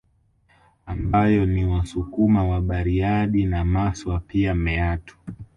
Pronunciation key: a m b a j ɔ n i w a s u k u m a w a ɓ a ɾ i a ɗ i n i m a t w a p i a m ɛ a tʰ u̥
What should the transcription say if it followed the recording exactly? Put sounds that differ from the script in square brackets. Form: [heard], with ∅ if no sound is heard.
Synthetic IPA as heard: a m b a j ɔ n i w a s u k u m a w a ɓ a ɾ i a ɗ i n [a] m a [s] w a p i a m ɛ a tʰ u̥

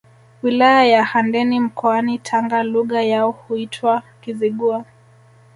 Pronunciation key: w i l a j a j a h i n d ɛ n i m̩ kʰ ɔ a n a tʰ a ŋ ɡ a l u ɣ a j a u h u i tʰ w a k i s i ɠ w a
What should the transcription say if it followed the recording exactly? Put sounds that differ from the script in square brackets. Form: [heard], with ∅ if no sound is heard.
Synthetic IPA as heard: w i l a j a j a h [a] n d ɛ n i m̩ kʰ ɔ a n [i] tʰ a ŋ ɡ a l u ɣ a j a [ɔ] h u i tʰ w a k i [z] i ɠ [u] a

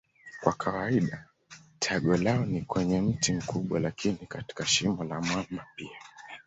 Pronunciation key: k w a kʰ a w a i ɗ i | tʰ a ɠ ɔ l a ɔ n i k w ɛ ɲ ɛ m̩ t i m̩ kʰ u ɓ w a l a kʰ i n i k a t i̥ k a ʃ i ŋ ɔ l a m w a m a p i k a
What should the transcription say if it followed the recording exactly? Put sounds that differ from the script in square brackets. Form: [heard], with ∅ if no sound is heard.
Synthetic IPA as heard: k w a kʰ a w a i ɗ [a] | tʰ a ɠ ɔ l a ɔ n i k w ɛ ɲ ɛ m̩ t i m̩ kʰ u ɓ w a l a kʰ i n i k a t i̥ k a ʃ i [m] ɔ l a m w a m a p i [∅] a

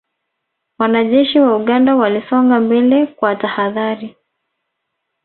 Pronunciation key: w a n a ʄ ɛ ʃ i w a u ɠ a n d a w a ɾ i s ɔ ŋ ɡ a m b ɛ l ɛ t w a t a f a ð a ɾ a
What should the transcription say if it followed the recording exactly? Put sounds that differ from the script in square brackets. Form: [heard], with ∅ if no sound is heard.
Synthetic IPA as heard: w a n a ʄ ɛ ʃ i w a u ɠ a n d a w a [l] i s ɔ ŋ ɡ a m b ɛ l ɛ [k] w a t a [h] a ð a ɾ [i]

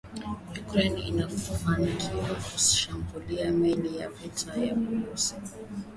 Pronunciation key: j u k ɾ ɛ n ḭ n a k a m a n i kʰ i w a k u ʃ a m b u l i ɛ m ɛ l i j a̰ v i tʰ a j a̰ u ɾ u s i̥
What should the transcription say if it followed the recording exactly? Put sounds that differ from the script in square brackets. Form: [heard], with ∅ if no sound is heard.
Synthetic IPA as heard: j u k ɾ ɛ n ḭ n a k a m a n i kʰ i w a k u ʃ a m b u l i [a] m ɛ l i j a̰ v i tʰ a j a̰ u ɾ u s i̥

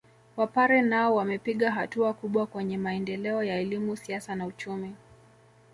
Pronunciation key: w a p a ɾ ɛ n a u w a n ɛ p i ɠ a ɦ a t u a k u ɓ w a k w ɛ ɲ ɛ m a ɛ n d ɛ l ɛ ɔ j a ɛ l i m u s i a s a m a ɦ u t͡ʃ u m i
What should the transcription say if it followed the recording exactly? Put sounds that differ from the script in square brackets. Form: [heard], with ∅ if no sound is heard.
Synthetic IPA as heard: w a p a ɾ ɛ n a [ɔ] w a [m] ɛ p i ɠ a ɦ a t u a k u ɓ w a k w ɛ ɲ ɛ m a ɛ n d ɛ l ɛ ɔ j a ɛ l i m u s i a s a [n] a [∅] u t͡ʃ u m i

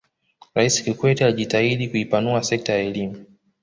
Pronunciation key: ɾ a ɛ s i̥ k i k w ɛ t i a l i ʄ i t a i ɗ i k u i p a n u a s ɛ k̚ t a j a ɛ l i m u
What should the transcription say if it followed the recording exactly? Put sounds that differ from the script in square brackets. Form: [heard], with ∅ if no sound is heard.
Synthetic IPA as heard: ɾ a [i] s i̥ k i k w ɛ t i a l i ʄ i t a i ɗ i k u i p a n u a s ɛ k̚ t a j a ɛ l i m u

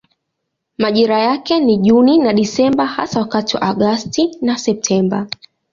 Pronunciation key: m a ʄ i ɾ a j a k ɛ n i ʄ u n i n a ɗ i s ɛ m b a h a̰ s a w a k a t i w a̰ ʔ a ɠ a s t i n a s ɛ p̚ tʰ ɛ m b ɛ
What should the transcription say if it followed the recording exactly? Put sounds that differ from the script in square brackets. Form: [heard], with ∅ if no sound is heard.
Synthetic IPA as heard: m a ʄ i ɾ a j a k ɛ n i ʄ u n i n a ɗ i s ɛ m b a h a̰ s a w a k a t i w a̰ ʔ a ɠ a s t i n a s ɛ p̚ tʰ ɛ m b [a]

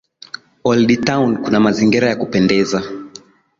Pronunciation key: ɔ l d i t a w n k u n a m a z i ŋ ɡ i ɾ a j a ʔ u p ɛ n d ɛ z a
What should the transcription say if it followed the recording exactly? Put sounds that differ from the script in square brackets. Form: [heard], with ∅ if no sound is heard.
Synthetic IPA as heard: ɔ l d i t a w n k u n a m a z i ŋ ɡ i ɾ a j a [k] u p ɛ n d ɛ z a

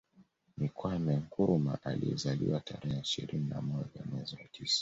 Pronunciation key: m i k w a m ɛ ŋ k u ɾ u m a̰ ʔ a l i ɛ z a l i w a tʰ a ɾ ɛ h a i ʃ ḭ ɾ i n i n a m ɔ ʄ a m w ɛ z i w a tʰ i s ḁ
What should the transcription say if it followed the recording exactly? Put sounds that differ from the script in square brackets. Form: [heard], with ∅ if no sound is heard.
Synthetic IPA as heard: m i k w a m ɛ ŋ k u ɾ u m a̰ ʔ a l i ɛ z a l i w a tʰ a ɾ ɛ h [ɛ] i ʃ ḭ ɾ i n i n a m ɔ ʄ a m w ɛ z i w a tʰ i s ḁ

